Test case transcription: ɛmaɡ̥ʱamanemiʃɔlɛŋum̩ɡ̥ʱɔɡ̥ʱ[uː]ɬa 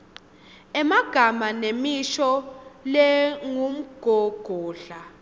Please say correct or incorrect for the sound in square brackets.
incorrect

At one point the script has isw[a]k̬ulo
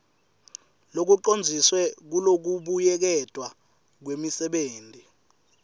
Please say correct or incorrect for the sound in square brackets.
incorrect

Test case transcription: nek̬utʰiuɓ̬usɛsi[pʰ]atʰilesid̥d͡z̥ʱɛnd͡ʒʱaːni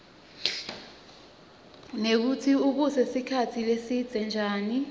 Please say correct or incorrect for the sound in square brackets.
incorrect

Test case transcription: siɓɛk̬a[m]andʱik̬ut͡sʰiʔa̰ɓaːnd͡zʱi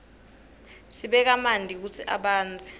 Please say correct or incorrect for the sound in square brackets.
correct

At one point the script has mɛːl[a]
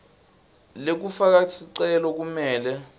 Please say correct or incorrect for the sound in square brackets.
incorrect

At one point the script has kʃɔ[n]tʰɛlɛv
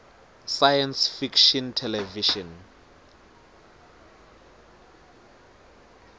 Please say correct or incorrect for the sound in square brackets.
correct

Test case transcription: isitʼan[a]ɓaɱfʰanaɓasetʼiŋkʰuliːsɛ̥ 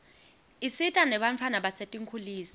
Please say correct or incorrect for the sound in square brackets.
incorrect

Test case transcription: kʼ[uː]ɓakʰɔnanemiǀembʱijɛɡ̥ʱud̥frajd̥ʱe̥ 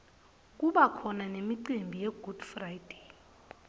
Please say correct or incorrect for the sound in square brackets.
incorrect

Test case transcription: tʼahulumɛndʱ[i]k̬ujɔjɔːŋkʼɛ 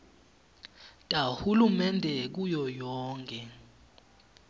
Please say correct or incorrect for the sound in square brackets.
incorrect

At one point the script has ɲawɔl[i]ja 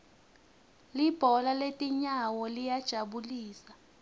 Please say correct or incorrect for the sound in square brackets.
correct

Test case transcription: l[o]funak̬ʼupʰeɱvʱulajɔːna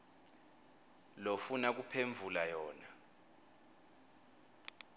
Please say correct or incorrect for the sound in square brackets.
correct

